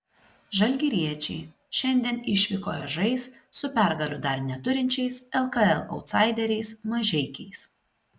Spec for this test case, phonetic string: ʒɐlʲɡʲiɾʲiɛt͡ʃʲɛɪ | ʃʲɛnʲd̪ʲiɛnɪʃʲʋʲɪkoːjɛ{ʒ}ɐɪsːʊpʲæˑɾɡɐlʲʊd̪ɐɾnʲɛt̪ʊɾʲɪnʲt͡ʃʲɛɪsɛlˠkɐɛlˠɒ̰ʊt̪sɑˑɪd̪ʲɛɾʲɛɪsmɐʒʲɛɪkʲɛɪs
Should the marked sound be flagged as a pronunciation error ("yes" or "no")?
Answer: no